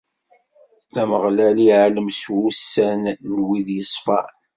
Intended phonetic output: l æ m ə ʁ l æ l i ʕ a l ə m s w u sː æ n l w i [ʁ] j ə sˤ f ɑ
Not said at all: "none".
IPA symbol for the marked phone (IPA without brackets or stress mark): ð